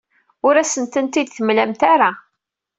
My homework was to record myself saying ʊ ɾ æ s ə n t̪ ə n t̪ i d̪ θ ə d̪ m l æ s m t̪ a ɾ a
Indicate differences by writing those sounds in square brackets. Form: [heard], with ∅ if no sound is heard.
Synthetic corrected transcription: ʊ ɾ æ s ə n t̪ ə n t̪ i d̪ θ ə [∅] m l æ [∅] m t̪ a ɾ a